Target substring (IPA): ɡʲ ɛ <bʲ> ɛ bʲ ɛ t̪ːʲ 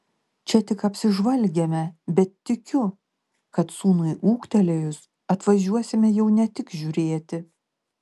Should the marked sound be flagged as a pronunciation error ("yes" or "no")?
yes